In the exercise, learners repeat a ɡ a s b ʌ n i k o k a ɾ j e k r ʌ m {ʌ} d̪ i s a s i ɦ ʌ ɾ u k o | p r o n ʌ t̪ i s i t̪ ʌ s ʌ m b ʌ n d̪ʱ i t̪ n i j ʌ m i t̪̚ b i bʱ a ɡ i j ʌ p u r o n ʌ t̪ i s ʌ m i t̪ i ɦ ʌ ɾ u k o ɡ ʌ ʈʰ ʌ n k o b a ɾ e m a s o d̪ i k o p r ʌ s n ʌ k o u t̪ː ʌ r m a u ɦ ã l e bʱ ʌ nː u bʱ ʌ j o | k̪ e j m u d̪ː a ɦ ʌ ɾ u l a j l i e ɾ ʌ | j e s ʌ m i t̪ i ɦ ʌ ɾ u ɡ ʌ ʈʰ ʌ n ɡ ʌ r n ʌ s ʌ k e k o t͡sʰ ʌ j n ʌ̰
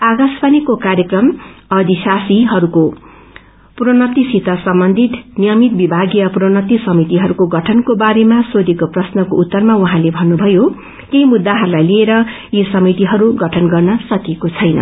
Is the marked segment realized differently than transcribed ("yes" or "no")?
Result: no